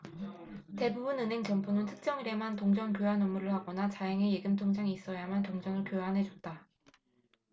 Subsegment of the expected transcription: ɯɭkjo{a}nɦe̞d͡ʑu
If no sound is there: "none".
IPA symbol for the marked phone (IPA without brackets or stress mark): a